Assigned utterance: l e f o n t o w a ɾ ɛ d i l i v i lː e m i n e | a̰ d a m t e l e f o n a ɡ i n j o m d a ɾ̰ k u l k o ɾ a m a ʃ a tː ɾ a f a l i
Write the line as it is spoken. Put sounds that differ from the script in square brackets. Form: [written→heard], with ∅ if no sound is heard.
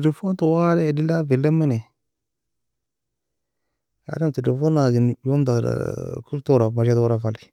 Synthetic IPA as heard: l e f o n t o w a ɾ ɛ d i l [i→a] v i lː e m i n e | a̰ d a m t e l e f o n a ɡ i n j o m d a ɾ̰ k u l [k→t] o ɾ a m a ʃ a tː ɾ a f a l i